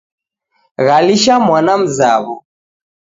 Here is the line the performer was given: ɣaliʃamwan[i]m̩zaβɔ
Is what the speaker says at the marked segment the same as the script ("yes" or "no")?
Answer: no